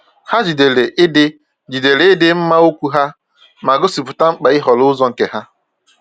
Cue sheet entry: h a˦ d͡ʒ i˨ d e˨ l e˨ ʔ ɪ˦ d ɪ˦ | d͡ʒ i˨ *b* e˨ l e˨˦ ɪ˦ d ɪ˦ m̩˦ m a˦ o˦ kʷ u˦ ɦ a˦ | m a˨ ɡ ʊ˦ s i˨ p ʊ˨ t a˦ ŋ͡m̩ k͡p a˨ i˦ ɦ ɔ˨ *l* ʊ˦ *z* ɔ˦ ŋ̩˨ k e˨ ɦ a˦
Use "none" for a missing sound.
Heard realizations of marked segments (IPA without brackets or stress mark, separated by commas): d, l, z